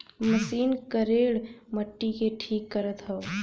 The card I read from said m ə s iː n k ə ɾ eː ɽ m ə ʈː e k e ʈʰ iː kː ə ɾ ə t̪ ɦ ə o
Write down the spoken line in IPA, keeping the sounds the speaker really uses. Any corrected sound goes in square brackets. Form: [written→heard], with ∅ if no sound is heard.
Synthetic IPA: m ə s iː n k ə ɾ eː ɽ m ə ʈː [e→i] k e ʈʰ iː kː ə ɾ ə t̪ ɦ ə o